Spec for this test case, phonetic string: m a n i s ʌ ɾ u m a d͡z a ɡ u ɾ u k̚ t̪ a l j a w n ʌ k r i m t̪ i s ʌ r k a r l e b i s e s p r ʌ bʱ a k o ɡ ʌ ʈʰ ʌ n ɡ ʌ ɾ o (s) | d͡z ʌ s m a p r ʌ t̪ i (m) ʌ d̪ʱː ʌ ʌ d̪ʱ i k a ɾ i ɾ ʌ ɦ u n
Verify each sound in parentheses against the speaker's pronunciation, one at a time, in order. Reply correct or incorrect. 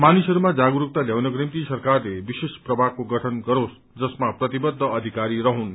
correct, incorrect: b

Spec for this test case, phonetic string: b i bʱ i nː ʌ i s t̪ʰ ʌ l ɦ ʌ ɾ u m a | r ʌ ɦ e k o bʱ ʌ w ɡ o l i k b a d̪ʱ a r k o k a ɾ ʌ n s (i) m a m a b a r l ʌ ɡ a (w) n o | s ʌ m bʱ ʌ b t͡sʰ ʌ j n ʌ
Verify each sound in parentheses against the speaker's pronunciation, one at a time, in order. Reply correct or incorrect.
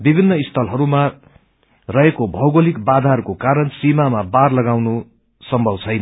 correct, correct

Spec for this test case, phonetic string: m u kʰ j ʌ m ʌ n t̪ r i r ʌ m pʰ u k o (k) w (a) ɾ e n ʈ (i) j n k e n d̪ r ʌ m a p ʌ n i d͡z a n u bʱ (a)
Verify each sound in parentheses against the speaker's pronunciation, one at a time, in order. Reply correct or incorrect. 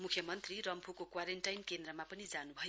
correct, correct, incorrect: a, incorrect: ʌ

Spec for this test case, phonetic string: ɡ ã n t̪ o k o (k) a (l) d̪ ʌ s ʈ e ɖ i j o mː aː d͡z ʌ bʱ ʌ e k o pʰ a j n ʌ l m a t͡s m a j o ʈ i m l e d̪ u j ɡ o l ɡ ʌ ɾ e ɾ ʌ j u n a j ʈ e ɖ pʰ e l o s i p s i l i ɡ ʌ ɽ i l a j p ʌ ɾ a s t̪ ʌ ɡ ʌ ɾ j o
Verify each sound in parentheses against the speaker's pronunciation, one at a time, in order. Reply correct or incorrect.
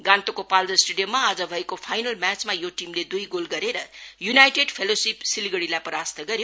incorrect: p, correct

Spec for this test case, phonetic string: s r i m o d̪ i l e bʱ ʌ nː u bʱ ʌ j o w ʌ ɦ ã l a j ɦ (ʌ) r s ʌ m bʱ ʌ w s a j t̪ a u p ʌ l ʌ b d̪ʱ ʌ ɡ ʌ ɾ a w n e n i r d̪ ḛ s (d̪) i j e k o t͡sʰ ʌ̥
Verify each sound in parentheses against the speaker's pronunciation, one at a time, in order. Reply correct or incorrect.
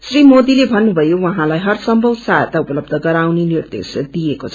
correct, correct

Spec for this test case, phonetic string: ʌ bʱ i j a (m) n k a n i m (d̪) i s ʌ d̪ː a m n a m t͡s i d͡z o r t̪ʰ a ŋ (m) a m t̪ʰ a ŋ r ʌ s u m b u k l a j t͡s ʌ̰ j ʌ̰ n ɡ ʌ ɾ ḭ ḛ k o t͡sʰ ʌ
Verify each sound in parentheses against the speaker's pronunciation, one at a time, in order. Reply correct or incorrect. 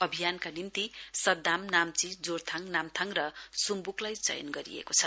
incorrect: none, incorrect: t̪, incorrect: n

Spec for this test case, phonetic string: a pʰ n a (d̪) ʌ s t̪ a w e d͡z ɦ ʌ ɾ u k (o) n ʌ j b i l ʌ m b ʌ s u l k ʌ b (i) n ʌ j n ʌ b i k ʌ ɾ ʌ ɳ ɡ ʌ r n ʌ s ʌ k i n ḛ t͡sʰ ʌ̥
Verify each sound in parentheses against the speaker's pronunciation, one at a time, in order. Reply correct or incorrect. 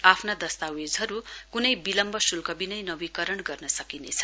correct, incorrect: u, correct

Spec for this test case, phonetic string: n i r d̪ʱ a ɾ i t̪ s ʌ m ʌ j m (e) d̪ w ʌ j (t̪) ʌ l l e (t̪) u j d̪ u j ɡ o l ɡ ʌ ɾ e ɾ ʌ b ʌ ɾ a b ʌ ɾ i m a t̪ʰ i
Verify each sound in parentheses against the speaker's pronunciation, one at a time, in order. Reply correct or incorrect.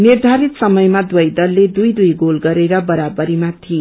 incorrect: a, incorrect: d̪, incorrect: d̪

